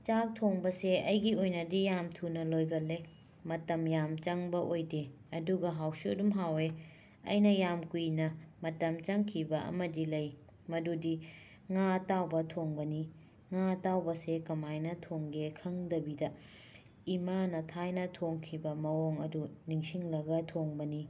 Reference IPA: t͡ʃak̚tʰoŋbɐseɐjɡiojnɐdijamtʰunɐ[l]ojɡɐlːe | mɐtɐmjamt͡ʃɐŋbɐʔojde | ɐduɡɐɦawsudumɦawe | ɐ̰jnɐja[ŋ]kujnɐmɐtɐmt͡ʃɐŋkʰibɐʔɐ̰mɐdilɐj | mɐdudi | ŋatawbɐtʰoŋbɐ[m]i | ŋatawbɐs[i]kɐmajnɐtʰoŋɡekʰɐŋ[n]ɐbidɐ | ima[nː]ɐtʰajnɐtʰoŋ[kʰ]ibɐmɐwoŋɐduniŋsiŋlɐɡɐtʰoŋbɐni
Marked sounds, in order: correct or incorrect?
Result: correct, incorrect, incorrect, incorrect, incorrect, incorrect, correct

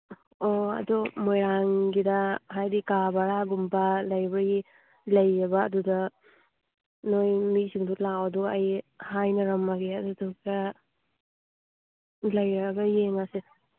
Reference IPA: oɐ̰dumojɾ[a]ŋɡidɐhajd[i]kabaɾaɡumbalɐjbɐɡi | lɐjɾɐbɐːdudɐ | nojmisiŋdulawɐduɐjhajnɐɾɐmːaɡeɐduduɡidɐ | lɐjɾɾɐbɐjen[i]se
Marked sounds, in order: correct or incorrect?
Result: correct, correct, incorrect

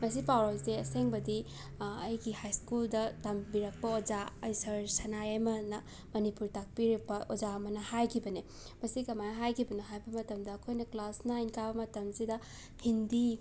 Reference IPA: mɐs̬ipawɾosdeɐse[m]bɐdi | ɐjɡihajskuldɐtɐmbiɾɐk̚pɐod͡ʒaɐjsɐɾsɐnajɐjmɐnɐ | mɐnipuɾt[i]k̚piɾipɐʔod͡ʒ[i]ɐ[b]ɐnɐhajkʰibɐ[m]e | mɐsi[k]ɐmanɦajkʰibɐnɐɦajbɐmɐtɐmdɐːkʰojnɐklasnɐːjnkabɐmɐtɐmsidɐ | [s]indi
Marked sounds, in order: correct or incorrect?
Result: incorrect, incorrect, incorrect, incorrect, incorrect, correct, incorrect

